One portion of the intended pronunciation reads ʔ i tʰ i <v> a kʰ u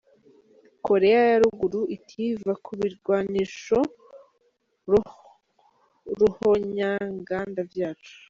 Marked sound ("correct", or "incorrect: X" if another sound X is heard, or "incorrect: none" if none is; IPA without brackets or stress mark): correct